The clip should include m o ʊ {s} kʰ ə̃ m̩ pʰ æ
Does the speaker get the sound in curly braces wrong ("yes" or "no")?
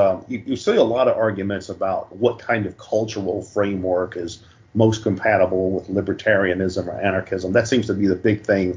no